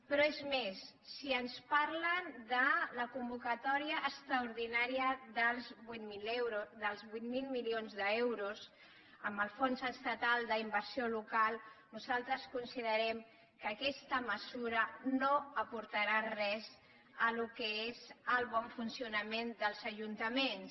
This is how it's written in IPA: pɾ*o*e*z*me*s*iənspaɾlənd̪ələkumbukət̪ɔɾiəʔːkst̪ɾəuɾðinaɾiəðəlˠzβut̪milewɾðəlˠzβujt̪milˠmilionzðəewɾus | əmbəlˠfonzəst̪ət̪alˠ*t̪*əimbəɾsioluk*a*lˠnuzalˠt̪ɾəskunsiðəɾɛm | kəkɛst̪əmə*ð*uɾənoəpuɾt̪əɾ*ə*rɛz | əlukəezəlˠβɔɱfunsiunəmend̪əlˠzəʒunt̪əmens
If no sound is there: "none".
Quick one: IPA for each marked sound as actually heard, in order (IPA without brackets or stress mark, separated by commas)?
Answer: ɔ, z, sː, d̪, a, z, a